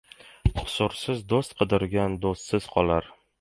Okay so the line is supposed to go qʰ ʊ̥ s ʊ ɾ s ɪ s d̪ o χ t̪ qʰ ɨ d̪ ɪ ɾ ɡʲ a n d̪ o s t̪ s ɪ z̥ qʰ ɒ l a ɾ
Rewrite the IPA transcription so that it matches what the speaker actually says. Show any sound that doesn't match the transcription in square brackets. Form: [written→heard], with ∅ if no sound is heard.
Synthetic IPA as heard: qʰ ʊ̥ s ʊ ɾ s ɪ [s→z] d̪ o [χ→s] t̪ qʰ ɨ d̪ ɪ ɾ ɡʲ a n d̪ o s t̪ s ɪ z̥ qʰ ɒ l a ɾ